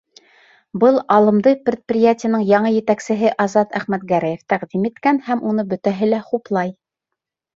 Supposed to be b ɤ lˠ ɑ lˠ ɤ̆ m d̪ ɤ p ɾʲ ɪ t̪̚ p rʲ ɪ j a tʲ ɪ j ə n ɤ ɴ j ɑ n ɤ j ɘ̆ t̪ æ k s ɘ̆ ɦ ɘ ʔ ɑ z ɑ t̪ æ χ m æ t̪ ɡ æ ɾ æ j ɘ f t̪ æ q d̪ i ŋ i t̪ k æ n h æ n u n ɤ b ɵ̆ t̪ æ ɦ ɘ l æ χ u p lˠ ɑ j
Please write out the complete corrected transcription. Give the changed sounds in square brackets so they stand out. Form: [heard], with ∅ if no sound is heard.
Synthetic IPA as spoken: b ɤ lˠ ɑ lˠ ɤ̆ m d̪ ɤ p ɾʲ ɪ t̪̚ p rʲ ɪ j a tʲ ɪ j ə n ɤ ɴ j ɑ [ɴ] ɤ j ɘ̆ t̪ æ k s ɘ̆ ɦ ɘ ʔ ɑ z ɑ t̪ æ χ m æ t̪ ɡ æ ɾ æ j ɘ f t̪ æ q d̪ i [m] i t̪ k æ n h æ [m] u n ɤ b ɵ̆ t̪ æ ɦ ɘ l æ χ u p lˠ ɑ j